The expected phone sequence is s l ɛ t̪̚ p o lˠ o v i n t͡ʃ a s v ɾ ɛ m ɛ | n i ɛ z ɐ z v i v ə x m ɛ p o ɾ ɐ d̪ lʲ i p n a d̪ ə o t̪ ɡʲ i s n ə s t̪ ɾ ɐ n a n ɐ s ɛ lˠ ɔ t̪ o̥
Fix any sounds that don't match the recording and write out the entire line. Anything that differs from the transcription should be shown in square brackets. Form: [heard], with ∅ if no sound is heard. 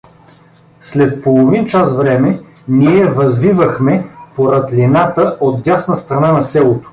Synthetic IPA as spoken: s l ɛ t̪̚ p o lˠ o v i n t͡ʃ a s v ɾ ɛ m ɛ | n i ɛ [v] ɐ z v i v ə x m ɛ p o ɾ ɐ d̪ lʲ i [∅] n a [t̪] ə o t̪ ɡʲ [a] s n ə s t̪ ɾ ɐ n a n ɐ s ɛ lˠ [o] t̪ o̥